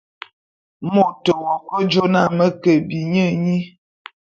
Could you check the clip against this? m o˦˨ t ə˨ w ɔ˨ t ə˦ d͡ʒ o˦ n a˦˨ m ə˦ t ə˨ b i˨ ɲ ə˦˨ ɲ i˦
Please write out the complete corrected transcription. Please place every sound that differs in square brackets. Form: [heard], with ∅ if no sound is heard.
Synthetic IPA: m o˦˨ t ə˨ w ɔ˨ [k] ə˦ d͡ʒ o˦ n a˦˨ m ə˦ [k] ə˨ b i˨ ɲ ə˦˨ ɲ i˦

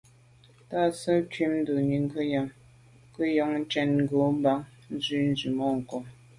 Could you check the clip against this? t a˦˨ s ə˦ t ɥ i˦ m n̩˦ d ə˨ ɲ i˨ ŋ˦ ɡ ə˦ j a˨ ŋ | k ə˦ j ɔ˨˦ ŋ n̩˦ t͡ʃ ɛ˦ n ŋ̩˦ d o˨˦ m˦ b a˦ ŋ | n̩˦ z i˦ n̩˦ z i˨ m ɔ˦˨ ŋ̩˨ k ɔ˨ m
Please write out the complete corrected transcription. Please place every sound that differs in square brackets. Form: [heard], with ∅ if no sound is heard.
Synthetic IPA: t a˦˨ s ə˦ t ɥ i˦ m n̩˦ d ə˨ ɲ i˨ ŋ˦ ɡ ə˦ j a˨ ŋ | k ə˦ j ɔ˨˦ ŋ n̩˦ t͡ʃ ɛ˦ n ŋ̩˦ [ɡ] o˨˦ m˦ b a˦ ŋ | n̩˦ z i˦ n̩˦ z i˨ m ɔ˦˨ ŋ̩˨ k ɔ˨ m

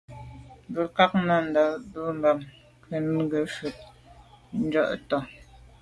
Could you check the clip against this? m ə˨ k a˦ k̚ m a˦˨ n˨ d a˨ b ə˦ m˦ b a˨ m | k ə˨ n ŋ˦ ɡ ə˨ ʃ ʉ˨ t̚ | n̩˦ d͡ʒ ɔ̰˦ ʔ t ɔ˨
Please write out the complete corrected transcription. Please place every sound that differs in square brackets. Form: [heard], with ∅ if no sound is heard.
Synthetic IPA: [b] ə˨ k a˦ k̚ [n] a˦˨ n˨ d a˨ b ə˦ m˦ b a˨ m | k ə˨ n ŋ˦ ɡ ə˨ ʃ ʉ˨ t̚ | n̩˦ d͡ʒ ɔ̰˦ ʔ t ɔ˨

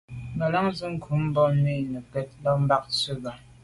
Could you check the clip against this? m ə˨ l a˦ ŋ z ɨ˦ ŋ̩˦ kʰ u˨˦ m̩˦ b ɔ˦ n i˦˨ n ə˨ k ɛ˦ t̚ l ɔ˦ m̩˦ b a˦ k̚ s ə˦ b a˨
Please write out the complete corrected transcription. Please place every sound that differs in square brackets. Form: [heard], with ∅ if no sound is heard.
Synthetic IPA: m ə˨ l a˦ ŋ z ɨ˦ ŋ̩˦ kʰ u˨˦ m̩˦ b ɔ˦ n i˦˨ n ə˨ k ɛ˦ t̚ l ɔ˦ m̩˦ b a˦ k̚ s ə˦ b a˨

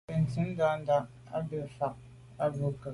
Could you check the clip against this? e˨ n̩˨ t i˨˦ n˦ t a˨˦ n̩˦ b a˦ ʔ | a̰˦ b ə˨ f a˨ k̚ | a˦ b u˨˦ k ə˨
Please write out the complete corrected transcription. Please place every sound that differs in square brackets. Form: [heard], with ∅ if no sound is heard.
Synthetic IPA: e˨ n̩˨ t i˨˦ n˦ [d] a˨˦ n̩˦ [d] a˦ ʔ | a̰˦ b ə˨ f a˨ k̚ | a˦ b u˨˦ k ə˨

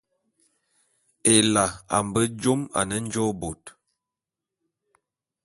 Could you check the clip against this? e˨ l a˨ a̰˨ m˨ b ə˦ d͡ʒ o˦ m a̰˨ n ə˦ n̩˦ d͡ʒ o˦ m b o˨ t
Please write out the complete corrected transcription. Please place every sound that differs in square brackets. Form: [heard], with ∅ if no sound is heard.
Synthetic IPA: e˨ l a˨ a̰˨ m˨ b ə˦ d͡ʒ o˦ m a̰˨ n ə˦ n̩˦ d͡ʒ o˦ [∅] b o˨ t

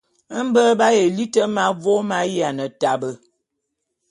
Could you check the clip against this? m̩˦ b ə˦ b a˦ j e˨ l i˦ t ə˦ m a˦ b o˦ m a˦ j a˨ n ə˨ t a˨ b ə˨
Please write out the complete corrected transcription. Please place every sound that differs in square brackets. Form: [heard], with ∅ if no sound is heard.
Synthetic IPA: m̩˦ b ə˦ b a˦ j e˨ l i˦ t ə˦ m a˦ [v] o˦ m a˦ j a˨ n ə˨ t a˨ b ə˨

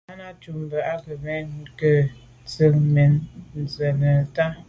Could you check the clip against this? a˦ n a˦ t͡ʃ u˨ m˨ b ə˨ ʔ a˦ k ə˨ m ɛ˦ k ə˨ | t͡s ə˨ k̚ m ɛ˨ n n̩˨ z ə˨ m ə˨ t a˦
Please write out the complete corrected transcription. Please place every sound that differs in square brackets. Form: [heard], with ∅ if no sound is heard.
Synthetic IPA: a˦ n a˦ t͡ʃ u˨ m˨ b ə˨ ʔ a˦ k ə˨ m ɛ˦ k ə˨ | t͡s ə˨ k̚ m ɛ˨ n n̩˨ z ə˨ [n] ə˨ t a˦

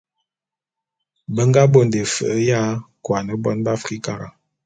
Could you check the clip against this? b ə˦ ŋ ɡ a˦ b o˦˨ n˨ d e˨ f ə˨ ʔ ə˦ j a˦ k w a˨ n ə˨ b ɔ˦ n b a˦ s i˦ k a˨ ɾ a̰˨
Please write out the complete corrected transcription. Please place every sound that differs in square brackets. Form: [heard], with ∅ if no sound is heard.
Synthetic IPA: b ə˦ ŋ ɡ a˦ b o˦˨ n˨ d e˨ f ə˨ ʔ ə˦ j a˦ k w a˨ n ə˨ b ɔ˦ n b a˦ [f] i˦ k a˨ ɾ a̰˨

